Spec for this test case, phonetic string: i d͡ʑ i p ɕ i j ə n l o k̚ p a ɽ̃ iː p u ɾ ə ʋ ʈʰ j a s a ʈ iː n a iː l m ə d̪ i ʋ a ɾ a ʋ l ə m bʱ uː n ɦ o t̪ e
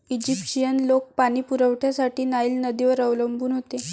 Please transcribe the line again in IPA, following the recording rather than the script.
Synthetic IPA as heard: i d͡ʑ i p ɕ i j ə n l o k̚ p a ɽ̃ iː p u ɾ ə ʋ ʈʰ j a s a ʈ iː n a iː l n ə d̪ i ʋ ə ɾ ə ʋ l ə m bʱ uː n ɦ o t̪ e